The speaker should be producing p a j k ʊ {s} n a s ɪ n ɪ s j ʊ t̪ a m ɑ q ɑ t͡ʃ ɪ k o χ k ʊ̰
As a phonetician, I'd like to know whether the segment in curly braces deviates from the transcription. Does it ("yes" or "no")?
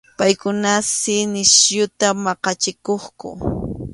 yes